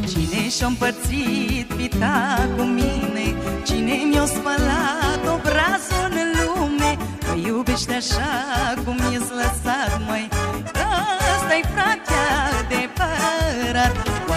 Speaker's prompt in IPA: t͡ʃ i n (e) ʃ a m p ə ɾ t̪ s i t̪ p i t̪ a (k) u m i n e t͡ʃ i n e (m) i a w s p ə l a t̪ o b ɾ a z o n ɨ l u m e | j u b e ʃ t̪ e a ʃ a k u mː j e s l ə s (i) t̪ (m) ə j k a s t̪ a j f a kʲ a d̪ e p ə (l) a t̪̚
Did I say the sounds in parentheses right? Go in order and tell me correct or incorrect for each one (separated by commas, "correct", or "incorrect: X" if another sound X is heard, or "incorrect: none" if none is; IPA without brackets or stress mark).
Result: correct, correct, correct, incorrect: a, correct, incorrect: ɾ